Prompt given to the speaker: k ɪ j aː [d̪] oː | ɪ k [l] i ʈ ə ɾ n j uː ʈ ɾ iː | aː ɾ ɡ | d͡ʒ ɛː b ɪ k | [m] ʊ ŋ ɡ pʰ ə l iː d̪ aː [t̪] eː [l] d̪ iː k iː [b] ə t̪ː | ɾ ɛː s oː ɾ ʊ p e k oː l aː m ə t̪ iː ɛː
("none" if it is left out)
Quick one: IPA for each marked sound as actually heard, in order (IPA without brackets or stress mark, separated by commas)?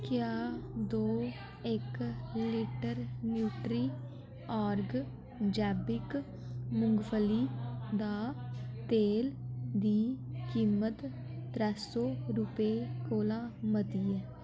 d̪, l, m, t̪, l, m